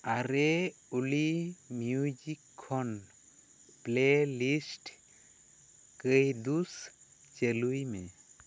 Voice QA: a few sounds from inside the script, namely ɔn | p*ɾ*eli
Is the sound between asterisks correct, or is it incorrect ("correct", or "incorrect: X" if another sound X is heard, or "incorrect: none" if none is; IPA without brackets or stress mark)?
incorrect: l